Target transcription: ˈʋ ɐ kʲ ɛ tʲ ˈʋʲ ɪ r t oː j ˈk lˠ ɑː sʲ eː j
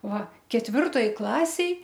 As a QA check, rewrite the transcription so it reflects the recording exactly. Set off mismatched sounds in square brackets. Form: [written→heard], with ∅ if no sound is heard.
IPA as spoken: ˈʋ ɐ kʲ ɛ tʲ ˈʋʲ ɪ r t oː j ˈk lˠ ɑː sʲ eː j